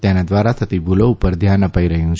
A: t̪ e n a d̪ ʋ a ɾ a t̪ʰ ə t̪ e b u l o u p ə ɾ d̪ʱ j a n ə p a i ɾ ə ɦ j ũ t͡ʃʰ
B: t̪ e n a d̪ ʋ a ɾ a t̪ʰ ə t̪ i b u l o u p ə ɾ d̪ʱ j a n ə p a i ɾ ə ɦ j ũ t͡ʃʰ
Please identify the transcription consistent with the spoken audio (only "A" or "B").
B